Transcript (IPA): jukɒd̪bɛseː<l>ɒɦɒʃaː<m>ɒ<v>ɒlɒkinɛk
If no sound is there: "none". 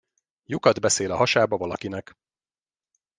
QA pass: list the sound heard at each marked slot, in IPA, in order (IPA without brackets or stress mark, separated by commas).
l, b, v